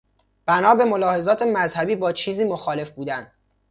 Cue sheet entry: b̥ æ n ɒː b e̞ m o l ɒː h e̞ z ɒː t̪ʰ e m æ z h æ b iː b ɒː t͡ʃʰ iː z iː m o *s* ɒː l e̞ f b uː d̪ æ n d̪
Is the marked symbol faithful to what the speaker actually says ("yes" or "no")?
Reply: no